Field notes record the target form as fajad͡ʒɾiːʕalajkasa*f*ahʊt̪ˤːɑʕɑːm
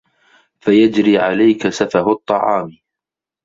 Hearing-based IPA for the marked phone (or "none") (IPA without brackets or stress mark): f